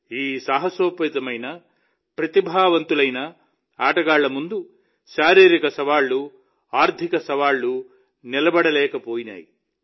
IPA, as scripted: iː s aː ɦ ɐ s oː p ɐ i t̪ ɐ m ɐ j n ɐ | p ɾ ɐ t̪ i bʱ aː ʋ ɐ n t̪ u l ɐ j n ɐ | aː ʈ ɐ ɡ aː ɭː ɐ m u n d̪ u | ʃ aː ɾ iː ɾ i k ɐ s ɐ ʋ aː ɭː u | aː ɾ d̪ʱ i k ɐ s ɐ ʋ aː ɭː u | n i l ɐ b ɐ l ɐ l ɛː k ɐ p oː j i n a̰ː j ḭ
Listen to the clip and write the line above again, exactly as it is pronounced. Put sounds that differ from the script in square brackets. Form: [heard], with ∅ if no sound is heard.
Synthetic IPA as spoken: iː s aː ɦ ɐ s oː p ɐ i t̪ ɐ m ɐ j n ɐ | p ɾ ɐ t̪ i bʱ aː ʋ ɐ n t̪ u l ɐ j n ɐ | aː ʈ ɐ ɡ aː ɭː ɐ m u n d̪ u | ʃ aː ɾ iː ɾ i k ɐ s ɐ ʋ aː ɭː u | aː ɾ d̪ʱ i k ɐ s ɐ ʋ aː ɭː u | n i l ɐ b ɐ [ɽ] ɐ l ɛː k ɐ p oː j i n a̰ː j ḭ